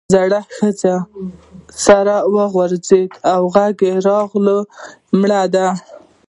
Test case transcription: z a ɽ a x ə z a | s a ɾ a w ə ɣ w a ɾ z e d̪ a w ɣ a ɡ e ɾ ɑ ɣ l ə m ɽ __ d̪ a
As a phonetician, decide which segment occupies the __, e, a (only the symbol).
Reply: a